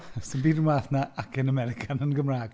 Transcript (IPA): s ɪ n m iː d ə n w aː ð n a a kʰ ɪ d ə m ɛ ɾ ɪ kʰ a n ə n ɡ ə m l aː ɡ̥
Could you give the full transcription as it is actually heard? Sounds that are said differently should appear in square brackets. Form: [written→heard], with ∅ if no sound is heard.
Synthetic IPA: s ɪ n [m→b] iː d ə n w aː [ð→θ] n a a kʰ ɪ [d→n] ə m ɛ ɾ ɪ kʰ a n ə n ɡ ə m [l→r] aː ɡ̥

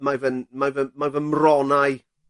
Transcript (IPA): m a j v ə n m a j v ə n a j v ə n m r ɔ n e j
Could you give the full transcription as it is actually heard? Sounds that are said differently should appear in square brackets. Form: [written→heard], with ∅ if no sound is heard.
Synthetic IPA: m a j v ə n m a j v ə [n→m] a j v ə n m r ɔ n [e→a] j

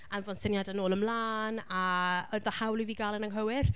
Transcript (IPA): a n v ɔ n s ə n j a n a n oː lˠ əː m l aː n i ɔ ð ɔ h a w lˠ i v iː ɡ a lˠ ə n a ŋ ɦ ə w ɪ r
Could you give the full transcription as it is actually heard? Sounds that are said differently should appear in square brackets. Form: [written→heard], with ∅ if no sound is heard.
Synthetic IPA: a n v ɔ n s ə n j a [n→d] a n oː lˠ [əː→ə] m l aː n [i→a] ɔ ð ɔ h a w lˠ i v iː ɡ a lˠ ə n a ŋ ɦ ə w ɪ r

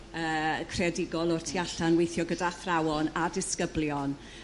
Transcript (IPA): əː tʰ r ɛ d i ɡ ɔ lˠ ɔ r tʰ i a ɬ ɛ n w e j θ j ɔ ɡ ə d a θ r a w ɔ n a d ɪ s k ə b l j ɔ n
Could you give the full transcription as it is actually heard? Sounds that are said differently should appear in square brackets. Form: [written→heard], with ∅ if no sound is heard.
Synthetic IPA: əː [tʰ→kʰ] r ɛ d [i→ɪ] ɡ ɔ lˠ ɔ r tʰ i a ɬ [ɛ→a] n w e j θ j ɔ ɡ ə d a θ r a w ɔ n a d ɪ s k ə b l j ɔ n

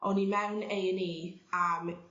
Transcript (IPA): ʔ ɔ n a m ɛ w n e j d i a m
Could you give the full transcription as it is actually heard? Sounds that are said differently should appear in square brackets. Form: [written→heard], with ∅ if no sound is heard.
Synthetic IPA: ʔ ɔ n [a→i] m ɛ w n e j [d→n] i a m

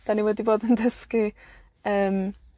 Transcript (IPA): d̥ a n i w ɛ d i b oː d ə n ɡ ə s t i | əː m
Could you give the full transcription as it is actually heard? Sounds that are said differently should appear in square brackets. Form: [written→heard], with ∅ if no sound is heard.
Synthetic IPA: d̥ a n i w ɛ d i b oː d ə n [ɡ→d] ə s [t→k] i | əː m

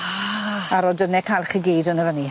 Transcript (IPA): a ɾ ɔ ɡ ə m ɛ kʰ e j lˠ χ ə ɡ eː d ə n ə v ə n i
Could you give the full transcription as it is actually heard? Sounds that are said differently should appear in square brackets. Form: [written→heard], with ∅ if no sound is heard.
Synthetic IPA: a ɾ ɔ [ɡ→d] ə [m→n] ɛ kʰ [e→a] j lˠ χ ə ɡ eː d ə n ə v ə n i

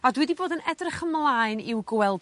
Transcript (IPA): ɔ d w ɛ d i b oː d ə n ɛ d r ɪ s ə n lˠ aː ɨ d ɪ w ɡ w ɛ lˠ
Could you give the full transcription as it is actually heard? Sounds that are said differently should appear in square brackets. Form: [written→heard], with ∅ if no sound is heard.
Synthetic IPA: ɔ d w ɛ d i b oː d ə n ɛ d r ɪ [s→χ] ə [n→m] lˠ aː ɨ [d→n] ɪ w ɡ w ɛ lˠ

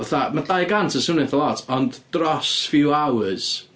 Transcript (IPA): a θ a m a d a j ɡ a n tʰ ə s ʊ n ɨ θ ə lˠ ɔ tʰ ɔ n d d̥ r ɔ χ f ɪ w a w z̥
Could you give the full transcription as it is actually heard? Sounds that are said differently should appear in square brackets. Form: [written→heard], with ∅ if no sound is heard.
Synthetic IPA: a θ a m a d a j ɡ a n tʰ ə s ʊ n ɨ θ ə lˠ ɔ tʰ ɔ n d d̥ r ɔ [χ→s] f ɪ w a w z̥

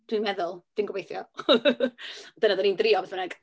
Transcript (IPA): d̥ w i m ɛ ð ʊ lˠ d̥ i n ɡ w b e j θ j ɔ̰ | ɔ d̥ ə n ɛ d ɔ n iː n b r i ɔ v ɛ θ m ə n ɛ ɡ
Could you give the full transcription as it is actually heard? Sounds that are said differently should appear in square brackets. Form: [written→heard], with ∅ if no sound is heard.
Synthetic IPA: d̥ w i m ɛ ð ʊ lˠ d̥ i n ɡ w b e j θ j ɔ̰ | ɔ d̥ ə n [ɛ→a] d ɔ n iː n [b→d] r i ɔ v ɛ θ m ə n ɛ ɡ

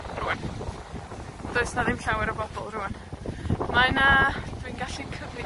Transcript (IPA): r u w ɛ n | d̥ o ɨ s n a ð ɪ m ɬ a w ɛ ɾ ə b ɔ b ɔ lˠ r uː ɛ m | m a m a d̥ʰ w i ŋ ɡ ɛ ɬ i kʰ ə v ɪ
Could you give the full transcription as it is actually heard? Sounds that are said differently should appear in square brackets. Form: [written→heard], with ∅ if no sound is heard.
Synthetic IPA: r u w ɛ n | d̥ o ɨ s n a ð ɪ m ɬ a w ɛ ɾ ə b ɔ b ɔ lˠ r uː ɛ [m→n] | m a [m→n] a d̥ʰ w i [ŋ→n] ɡ [ɛ→a] ɬ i kʰ ə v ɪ

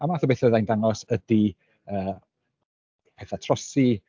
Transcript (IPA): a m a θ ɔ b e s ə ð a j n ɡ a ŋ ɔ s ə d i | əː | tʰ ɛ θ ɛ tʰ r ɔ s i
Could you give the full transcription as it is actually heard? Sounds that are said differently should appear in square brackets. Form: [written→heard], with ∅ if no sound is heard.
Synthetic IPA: a m a θ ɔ b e [s→θ] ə ð a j n [ɡ→d] a ŋ ɔ s ə d i | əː | [tʰ→pʰ] ɛ θ [ɛ→a] tʰ r ɔ s i

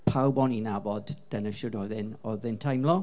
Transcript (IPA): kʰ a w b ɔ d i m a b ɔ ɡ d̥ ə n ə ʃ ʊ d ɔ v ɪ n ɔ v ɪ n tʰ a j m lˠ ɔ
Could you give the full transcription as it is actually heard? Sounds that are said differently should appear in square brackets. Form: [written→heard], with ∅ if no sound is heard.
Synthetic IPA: [kʰ→pʰ] a w b ɔ [d→n] i [m→n] a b ɔ [ɡ→d] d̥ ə n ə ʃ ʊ d ɔ [v→ð] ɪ n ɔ [v→ð] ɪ n tʰ a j m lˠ ɔ

